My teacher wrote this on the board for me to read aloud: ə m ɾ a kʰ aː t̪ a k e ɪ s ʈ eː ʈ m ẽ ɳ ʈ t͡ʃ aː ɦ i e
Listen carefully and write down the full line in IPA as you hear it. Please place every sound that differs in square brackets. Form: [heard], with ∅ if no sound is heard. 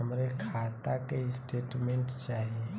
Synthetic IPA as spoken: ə m ɾ [e] kʰ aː t̪ a k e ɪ s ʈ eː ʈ m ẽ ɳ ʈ t͡ʃ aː ɦ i e